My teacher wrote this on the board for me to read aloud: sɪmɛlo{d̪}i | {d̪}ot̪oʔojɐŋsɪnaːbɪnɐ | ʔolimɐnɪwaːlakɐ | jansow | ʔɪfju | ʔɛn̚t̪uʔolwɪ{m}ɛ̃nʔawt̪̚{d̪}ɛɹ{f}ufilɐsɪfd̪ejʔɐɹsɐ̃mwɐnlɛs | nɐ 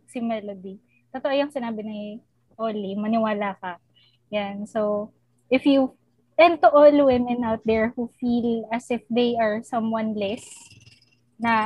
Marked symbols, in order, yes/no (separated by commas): yes, no, yes, yes, no